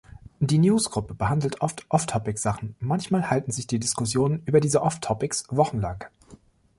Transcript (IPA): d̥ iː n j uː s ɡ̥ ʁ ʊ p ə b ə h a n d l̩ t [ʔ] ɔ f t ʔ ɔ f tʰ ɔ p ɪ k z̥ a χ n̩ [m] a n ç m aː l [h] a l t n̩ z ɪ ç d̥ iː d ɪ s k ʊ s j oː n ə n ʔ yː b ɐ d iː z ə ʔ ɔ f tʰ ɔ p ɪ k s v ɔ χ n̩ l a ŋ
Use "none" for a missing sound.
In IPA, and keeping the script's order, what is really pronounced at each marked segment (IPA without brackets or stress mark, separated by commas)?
ʔ, m, h